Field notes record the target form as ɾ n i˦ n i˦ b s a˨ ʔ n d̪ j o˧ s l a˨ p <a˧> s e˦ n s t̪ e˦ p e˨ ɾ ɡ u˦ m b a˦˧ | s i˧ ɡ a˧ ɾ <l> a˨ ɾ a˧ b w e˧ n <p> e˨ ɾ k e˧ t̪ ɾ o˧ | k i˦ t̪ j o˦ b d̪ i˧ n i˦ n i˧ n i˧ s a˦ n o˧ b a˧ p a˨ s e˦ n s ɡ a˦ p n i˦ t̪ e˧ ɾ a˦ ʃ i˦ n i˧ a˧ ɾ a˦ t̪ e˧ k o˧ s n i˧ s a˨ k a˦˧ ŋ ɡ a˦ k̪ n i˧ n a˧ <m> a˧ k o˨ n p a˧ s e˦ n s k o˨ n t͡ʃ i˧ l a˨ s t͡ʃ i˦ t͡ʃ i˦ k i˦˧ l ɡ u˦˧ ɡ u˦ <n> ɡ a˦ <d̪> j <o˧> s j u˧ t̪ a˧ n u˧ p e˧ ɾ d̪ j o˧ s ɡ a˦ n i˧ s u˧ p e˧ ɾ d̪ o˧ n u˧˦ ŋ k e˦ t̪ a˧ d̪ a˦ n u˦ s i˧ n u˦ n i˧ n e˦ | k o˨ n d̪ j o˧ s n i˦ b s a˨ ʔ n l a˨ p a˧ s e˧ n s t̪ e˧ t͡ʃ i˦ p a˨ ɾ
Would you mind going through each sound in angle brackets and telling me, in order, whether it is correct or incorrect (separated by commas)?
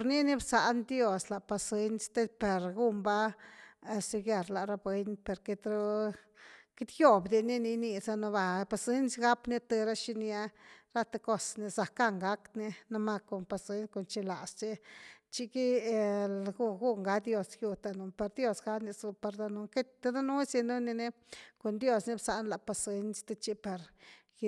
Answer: correct, correct, correct, correct, incorrect, correct, correct